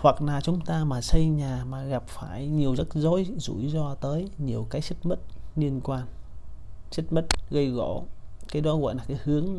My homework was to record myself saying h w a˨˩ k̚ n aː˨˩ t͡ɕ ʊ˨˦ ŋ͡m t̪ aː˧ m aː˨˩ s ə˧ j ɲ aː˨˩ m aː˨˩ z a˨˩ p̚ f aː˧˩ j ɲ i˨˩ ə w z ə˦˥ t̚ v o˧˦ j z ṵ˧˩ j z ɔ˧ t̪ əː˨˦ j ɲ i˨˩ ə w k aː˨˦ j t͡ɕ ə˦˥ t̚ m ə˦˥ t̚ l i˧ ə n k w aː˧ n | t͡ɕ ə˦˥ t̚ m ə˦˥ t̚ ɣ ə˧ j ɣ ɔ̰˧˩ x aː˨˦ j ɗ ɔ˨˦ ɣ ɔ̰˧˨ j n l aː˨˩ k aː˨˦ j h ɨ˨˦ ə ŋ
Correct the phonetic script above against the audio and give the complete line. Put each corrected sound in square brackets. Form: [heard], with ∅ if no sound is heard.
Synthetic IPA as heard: h w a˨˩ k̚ n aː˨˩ t͡ɕ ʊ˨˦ ŋ͡m t̪ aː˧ m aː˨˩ s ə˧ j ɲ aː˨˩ m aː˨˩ [ɣ] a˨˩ p̚ f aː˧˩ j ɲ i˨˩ ə w z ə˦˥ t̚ [z] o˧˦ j z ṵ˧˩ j z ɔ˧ t̪ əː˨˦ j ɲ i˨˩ ə w k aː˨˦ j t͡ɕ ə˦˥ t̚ m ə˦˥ t̚ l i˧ ə n k w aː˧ n | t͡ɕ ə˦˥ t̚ m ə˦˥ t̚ ɣ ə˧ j ɣ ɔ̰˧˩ [k] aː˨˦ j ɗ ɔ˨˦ ɣ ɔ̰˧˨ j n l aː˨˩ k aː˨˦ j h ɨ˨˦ ə ŋ